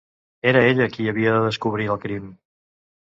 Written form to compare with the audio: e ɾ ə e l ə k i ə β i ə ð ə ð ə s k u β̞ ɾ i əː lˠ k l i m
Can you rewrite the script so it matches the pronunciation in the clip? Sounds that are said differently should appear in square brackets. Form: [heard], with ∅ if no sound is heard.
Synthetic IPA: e ɾ ə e [ʎ] ə k i ə β i ə ð ə ð ə s k u β̞ ɾ i [ə] lˠ k [ɾ] i m